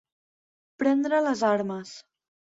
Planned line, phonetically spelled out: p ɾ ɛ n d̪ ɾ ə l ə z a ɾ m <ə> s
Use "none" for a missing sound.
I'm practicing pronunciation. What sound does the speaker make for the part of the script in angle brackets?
ə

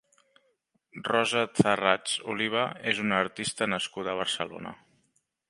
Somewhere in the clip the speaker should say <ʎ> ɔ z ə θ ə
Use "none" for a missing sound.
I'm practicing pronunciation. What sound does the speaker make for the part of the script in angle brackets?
r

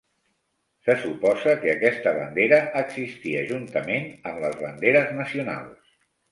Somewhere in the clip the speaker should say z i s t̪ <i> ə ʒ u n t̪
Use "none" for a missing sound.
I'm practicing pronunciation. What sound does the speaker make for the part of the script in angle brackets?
i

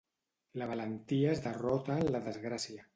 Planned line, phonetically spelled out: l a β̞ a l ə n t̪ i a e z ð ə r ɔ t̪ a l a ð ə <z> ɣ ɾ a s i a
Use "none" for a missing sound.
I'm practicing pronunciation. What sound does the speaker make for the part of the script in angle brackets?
z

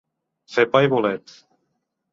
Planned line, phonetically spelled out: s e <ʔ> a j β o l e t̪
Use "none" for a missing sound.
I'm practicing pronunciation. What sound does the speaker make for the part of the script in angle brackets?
p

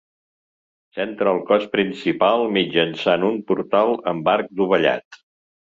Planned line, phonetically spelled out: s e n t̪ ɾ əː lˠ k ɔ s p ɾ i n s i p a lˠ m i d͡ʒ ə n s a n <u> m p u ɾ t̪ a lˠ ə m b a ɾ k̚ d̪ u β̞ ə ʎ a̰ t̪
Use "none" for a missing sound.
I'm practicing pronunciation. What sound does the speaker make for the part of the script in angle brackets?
u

